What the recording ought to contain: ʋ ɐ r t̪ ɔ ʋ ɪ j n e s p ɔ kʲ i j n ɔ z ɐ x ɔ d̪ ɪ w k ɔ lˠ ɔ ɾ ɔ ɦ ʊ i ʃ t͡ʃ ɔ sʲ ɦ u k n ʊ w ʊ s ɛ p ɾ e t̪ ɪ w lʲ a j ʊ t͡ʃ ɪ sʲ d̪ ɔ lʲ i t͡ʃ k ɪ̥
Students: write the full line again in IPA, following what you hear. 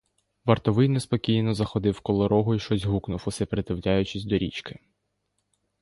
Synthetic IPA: ʋ ɐ r t̪ ɔ ʋ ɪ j n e s p ɔ kʲ i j n ɔ z ɐ x ɔ d̪ ɪ w k ɔ lˠ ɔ ɾ ɔ ɦ ʊ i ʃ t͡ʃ ɔ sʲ ɦ u k n ʊ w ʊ s ɛ p ɾ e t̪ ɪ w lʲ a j ʊ t͡ʃ ɪ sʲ d̪ ɔ ɾʲ i t͡ʃ k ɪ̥